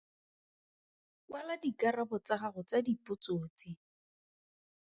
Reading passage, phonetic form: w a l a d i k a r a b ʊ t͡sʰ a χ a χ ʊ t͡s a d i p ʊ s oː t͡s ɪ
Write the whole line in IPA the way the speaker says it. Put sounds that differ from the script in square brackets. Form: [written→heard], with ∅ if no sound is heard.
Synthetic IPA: w a l a d i k a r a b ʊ [t͡sʰ→t͡s] a χ a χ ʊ t͡s a d i p ʊ [s→t͡s] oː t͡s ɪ